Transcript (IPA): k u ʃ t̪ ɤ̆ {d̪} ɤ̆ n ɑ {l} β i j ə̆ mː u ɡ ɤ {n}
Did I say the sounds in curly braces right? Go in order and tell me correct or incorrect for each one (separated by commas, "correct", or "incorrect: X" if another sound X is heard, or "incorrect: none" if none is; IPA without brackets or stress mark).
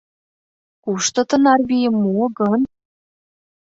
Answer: incorrect: t̪, incorrect: r, correct